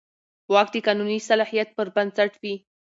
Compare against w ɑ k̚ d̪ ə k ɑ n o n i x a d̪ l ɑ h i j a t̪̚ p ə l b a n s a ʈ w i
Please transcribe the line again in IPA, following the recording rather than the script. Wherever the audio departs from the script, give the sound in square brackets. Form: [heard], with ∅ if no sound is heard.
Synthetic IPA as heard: w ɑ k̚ d̪ ə k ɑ n [u] n i [s] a [∅] l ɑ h i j a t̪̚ p ə [ɾ] b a n s a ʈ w i